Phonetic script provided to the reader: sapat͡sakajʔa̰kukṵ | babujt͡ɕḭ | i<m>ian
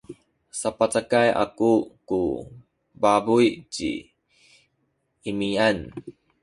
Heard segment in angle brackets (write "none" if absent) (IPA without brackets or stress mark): m